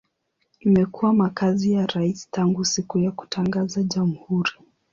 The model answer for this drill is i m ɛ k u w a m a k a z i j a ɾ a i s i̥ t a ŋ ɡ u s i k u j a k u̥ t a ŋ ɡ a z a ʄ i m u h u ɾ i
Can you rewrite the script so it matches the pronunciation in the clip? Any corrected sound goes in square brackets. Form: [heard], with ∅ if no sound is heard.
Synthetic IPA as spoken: i m ɛ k u w a m a k a z i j a ɾ a i s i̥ t a ŋ ɡ u s i k u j a k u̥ t a ŋ ɡ a z a ʄ [a] m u h u ɾ i